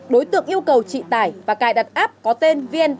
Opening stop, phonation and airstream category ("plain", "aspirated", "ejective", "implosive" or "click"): implosive